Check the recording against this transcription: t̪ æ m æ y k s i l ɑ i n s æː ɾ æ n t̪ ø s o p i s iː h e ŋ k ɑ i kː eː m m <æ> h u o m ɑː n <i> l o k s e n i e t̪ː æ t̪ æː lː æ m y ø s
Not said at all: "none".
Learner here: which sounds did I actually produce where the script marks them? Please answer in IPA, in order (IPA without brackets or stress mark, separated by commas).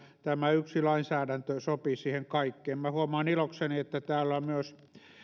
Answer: æ, i